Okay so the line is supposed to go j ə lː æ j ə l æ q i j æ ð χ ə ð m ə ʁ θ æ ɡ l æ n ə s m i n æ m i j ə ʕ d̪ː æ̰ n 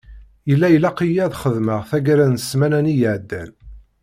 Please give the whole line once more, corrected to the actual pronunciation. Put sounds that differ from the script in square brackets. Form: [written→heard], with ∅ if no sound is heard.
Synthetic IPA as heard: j ə lː æ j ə l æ q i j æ ð χ ə ð m ə ʁ θ æ ɡ [l→ɾ] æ n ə s m [i→æ] n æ [m→n] i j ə ʕ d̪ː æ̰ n